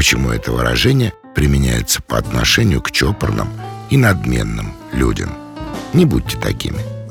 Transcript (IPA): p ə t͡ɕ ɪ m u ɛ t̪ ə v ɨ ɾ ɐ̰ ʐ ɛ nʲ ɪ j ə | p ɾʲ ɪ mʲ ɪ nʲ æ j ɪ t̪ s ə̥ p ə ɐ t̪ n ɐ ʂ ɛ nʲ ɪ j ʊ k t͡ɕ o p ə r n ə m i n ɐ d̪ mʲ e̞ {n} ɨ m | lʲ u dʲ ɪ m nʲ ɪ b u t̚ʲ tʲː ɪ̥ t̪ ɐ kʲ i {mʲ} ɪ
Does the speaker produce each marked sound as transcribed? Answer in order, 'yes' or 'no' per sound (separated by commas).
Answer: no, yes